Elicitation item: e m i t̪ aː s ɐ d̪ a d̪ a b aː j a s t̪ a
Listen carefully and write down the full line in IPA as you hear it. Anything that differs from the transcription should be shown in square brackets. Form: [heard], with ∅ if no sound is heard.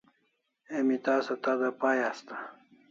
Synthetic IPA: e m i t̪ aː s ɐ [t̪] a d̪ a [p] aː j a s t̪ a